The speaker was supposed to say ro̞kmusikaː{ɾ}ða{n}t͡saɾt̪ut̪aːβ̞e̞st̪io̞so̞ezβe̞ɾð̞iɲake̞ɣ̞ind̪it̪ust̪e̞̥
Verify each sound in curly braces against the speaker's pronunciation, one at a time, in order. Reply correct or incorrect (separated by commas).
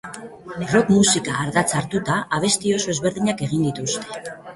correct, incorrect